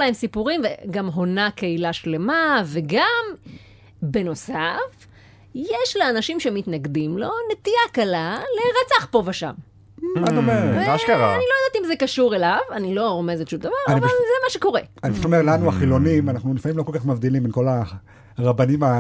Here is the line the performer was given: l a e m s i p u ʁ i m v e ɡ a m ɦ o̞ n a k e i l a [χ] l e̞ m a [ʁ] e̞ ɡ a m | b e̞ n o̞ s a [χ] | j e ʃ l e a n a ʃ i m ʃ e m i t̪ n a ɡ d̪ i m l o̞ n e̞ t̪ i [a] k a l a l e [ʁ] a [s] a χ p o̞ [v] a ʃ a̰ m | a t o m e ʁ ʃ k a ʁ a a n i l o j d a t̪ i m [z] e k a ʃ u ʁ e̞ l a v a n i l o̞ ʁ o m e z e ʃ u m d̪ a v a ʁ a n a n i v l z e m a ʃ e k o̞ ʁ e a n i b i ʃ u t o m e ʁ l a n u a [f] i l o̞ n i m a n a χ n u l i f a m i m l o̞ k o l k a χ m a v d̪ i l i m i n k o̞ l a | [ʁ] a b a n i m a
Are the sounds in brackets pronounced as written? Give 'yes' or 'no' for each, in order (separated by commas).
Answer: no, no, no, yes, yes, no, yes, yes, no, yes